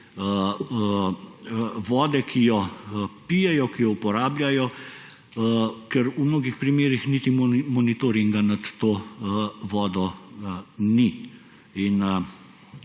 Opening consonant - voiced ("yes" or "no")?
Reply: yes